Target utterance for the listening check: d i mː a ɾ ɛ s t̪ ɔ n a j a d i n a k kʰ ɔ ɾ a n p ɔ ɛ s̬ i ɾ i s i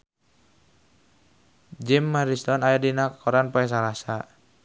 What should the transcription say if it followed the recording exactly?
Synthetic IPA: d͡ʒ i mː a ɾ i s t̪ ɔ n a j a d i n a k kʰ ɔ ɾ a n p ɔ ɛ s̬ a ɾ a s a